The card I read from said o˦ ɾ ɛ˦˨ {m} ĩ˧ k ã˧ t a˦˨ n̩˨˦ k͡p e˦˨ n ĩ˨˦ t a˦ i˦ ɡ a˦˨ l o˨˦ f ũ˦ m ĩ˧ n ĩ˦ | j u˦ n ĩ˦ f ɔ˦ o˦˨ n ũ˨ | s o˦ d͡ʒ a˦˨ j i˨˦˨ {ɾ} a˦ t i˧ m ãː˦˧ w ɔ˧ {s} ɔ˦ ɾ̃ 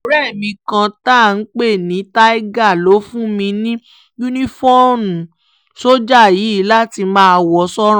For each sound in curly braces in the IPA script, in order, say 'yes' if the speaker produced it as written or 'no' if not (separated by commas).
yes, no, yes